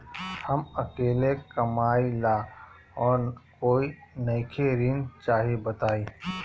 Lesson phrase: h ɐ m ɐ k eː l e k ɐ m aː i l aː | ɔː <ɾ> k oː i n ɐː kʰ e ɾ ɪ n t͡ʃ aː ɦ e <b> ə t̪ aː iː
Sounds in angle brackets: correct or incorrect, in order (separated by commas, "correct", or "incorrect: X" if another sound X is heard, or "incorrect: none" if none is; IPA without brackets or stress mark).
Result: correct, correct